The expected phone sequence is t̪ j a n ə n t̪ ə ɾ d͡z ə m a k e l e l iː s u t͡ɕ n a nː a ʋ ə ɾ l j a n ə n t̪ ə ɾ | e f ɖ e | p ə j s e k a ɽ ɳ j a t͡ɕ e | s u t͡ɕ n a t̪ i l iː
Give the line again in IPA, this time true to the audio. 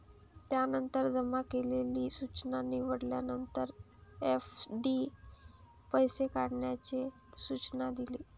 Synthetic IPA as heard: t̪ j a n ə n t̪ ə ɾ d͡z ə m a k e l e l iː s u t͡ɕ n a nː i ʋ ə ɽ l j a n ə n t̪ ə ɾ | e f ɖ i | p ə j s e k a ɽ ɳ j a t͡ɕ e | s u t͡ɕ n a d̪ i l iː